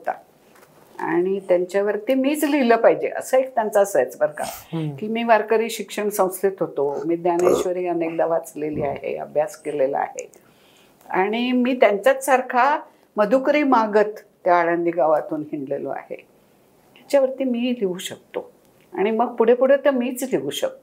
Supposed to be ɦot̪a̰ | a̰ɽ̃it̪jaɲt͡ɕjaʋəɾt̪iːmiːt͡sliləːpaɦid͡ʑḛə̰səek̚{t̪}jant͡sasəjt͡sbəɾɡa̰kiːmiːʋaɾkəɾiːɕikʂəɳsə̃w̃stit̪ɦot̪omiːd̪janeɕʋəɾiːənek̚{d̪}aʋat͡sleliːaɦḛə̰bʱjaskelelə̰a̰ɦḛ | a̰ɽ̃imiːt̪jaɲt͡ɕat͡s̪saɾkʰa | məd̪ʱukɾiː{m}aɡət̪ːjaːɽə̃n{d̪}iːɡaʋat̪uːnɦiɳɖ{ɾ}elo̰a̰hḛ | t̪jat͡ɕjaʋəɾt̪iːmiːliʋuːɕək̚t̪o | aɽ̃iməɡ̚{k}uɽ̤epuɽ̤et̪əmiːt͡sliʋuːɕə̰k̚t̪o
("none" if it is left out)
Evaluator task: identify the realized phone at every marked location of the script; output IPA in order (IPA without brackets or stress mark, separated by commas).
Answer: t̪, d̪, m, d̪, l, p